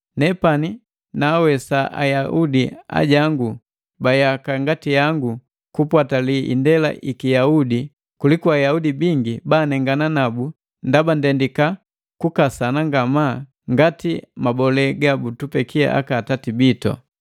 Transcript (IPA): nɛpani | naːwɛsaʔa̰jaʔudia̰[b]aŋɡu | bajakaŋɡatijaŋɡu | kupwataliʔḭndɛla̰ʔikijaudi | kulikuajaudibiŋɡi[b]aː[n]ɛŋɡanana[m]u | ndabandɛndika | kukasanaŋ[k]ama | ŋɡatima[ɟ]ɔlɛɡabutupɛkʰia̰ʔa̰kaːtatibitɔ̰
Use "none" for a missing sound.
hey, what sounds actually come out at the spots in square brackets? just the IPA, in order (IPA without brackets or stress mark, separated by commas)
ɟ, b, n, b, ɡ, b